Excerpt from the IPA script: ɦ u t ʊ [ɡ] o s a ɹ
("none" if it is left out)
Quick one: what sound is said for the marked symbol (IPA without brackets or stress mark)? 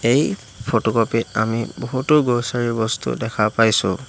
ɡ